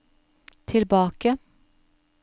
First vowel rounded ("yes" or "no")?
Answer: no